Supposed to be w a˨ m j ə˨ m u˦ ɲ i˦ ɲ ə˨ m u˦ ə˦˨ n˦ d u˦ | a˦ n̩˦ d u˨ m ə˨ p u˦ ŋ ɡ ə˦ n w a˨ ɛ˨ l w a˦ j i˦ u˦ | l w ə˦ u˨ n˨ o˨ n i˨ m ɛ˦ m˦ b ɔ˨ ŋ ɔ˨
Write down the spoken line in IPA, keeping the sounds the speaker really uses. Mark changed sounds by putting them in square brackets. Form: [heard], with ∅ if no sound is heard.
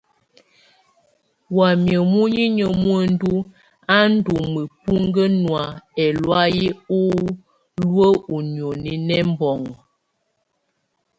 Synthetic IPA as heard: w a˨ m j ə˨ m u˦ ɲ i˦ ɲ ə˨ m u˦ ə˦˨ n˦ d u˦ | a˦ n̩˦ d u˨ m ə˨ p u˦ ŋ ɡ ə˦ n w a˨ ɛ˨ l w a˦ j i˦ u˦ | l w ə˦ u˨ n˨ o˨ n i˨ [n] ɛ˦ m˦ b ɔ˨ ŋ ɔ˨